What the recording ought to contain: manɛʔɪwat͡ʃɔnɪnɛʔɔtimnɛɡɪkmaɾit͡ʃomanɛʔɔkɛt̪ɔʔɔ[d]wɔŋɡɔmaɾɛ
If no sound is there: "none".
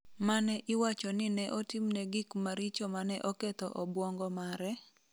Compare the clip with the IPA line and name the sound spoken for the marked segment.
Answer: b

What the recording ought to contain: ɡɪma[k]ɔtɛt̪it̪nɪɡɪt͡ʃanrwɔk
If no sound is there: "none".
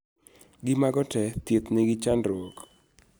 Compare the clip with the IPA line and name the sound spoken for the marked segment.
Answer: ɡ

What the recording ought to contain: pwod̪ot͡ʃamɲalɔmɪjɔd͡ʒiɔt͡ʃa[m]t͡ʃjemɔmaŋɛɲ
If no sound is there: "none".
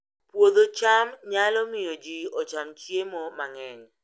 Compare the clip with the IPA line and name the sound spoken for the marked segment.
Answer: m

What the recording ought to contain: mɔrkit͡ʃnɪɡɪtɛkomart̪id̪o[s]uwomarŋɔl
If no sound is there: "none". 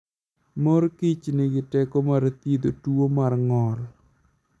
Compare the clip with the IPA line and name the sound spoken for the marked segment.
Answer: t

